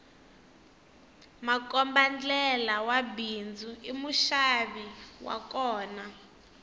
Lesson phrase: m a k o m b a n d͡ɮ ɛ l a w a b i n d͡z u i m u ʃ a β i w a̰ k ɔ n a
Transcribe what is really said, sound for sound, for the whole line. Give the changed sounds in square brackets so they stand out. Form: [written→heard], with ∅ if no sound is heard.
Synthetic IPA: m a k [o→ɔ] m b a n d͡ɮ ɛ l a w a b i n d͡z u i m u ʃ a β i w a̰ k [ɔ→ɔː] n a